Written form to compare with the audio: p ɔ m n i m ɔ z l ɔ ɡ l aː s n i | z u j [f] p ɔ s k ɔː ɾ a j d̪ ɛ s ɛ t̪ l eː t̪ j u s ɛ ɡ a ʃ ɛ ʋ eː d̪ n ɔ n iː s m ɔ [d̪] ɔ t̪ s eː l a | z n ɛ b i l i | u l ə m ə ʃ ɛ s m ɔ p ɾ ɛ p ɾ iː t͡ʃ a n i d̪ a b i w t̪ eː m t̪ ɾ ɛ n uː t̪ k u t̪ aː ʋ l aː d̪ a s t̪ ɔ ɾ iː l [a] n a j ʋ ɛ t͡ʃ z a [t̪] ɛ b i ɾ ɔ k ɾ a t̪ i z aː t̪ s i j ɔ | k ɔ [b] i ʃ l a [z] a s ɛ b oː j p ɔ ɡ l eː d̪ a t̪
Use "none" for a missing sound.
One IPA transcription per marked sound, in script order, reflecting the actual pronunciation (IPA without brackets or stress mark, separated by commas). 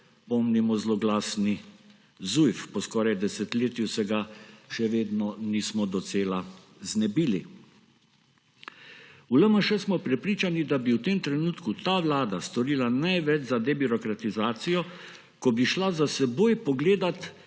f, d̪, a, d̪, b, z